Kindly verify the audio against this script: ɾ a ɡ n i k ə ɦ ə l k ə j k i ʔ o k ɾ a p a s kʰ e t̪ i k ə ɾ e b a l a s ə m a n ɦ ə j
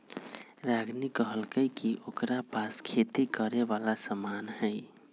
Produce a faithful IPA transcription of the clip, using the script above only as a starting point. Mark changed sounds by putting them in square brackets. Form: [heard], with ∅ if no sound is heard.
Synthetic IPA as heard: ɾ a ɡ n i k ə ɦ ə l k ə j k i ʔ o k ɾ a p a s kʰ e t̪ i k ə ɾ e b a l a s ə m a n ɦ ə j